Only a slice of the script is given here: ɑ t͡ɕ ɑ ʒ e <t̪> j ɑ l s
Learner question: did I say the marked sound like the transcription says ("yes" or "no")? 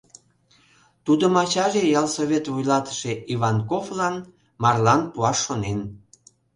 no